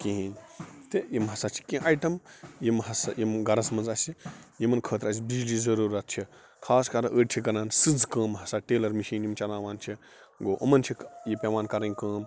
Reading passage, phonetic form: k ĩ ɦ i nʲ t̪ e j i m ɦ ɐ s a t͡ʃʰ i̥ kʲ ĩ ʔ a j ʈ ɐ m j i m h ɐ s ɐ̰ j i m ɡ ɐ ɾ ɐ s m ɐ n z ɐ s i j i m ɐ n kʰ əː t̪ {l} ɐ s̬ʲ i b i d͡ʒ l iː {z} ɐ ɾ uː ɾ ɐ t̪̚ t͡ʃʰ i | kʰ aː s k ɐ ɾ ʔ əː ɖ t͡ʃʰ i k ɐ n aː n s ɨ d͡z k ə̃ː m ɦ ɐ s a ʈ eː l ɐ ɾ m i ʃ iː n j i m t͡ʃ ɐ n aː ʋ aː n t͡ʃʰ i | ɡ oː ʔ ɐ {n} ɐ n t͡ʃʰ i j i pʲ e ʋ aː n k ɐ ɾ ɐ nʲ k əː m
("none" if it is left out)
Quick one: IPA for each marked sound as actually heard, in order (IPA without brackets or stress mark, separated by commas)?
ɾ, z, m